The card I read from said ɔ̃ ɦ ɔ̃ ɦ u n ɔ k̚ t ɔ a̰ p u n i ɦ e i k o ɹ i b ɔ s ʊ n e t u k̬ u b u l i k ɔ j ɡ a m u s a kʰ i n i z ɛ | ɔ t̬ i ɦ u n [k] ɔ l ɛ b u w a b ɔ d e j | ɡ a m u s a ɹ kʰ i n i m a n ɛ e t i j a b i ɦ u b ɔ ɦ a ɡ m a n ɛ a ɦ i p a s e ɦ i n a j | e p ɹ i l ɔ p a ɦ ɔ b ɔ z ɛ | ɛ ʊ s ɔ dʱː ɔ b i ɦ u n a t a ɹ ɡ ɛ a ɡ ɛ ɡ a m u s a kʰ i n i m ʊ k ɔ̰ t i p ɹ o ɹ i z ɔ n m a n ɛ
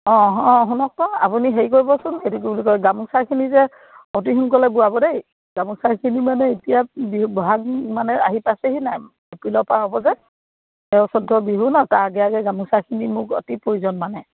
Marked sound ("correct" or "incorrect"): correct